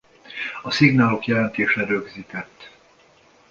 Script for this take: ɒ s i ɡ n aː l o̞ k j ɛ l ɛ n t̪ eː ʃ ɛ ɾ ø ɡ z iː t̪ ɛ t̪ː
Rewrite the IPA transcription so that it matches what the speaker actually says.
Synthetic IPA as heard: ɒ s i ɡ n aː l o̞ k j ɛ l ɛ n t̪ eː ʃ ɛ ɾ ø ɡ z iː t̪ ɛ t̪ː